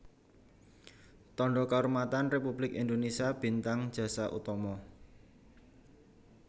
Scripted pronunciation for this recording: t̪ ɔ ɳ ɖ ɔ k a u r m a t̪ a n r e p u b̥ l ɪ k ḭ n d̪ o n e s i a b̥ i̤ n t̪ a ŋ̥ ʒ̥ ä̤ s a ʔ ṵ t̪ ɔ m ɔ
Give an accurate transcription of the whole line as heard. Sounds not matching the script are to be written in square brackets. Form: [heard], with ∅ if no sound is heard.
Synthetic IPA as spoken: t̪ ɔ ɳ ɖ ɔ k a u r m a t̪ a n r e p u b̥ l ɪ k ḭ n d̪ o n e s i a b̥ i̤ n t̪ a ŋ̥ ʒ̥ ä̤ s a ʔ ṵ t̪ ɔ m ɔ